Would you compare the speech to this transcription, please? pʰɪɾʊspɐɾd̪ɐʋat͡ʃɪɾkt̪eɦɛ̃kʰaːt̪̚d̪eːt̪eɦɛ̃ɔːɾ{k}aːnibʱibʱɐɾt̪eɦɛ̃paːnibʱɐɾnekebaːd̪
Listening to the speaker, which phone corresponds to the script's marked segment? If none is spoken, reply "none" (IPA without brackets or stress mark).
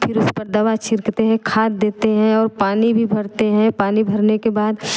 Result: p